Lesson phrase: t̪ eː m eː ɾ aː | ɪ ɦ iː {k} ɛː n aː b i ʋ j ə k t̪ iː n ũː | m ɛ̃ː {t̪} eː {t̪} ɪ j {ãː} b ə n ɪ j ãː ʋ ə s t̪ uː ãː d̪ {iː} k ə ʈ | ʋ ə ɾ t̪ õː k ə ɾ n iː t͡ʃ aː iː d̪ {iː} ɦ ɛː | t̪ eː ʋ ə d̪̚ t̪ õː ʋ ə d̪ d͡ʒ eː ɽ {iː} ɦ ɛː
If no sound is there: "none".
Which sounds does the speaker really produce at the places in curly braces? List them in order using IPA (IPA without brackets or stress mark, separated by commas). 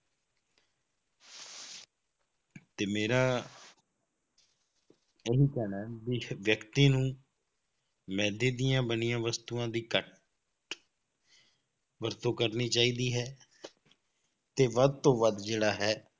k, d̪, d̪, ãː, iː, iː, aː